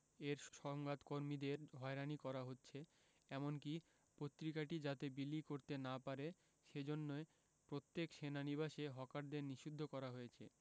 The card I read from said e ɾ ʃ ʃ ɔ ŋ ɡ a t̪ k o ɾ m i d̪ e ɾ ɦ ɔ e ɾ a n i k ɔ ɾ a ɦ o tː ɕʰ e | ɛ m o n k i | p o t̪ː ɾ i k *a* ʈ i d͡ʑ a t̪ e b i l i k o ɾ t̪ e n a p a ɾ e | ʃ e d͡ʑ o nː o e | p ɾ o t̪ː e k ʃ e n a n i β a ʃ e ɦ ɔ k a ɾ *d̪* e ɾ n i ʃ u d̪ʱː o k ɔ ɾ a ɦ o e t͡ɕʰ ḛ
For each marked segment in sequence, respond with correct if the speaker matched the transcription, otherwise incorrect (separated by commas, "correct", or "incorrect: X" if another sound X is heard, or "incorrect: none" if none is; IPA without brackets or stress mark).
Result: correct, correct